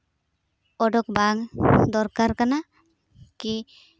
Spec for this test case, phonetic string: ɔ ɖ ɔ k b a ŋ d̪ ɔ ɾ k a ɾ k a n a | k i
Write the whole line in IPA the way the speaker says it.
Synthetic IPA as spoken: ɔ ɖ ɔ k b a ŋ d̪ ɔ ɾ k a ɾ k a n a | k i

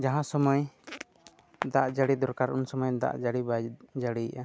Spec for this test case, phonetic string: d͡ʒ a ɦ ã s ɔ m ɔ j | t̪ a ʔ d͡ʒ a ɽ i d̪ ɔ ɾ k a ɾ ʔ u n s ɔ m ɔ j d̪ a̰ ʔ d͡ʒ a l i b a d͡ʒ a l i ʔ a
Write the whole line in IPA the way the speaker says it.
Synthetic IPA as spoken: d͡ʒ a ɦ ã s ɔ m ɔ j | d̪ a ʔ d͡ʒ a ɽ i d̪ ɔ ɾ k a ɾ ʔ u n s ɔ m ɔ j d̪ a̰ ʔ d͡ʒ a ɽ i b a d͡ʒ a ɽ i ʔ a

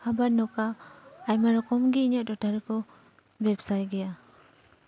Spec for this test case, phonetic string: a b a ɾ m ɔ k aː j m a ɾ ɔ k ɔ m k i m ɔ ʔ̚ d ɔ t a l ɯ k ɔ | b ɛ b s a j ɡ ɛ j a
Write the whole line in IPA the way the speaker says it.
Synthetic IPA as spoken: a b a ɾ n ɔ k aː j m a ɾ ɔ k ɔ m ɡ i ɲ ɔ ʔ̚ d ɔ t a ɾ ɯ k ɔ | b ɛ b s a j ɡ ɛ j a

